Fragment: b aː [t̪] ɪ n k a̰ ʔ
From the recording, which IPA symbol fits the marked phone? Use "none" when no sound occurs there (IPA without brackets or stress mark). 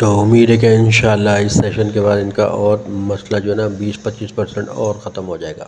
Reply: d̪